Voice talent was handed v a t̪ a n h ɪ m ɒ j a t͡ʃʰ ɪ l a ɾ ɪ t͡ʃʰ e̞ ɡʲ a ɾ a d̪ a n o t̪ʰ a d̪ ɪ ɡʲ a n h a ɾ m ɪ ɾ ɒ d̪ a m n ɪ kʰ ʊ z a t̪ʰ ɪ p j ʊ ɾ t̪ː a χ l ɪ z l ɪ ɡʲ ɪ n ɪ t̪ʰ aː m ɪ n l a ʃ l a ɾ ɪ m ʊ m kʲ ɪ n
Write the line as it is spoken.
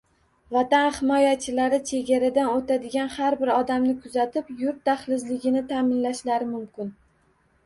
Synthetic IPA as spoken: v a t̪ a n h ɪ m ɒ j a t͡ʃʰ ɪ l a ɾ ɪ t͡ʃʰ e̞ ɡʲ a ɾ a d̪ a n o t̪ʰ a d̪ ɪ ɡʲ a n h a ɾ b ɪ ɾ ɒ d̪ a m n ɪ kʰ ʊ z a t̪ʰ ɪ p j ʊ ɾ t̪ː a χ l ɪ z l ɪ ɡʲ ɪ n ɪ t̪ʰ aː m ɪ n l a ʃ l a ɾ ɪ m ʊ m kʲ ɪ n